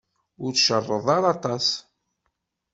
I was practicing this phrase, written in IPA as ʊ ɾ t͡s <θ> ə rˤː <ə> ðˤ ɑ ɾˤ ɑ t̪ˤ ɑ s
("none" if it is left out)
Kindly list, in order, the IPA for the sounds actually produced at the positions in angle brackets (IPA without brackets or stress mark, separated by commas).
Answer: ʃ, ə